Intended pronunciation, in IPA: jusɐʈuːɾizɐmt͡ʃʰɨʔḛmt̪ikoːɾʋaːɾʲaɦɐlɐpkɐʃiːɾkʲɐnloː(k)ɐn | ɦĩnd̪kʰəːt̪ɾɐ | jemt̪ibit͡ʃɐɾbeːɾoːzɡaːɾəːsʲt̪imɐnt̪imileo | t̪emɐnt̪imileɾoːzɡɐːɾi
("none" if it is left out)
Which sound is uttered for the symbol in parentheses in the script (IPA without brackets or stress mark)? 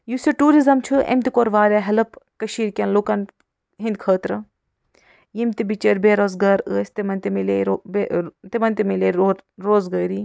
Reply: k